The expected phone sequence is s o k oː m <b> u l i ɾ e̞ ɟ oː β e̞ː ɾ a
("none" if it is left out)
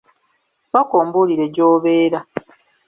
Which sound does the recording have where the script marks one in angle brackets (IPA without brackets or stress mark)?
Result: b